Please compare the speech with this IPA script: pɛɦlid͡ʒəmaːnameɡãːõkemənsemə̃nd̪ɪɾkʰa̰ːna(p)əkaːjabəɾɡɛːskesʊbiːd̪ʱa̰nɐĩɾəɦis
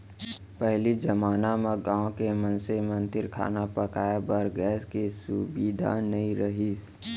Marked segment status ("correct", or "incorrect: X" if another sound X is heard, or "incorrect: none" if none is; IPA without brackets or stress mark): correct